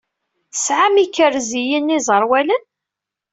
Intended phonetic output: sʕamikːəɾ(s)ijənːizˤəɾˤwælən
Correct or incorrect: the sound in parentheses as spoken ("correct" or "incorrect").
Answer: incorrect